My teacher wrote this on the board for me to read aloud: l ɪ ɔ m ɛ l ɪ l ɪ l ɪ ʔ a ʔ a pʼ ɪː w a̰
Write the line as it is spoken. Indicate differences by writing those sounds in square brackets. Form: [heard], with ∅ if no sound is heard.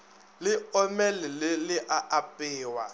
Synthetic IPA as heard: l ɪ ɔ m ɛ l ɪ l ɪ l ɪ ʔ a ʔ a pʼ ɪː w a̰